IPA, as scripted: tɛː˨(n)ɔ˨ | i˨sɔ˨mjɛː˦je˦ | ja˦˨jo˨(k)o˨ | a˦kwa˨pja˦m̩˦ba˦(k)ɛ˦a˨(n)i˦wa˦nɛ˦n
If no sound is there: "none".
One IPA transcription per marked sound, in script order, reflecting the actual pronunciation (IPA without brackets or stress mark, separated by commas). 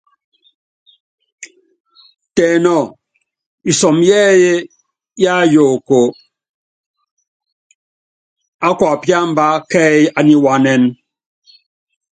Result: n, k, k, n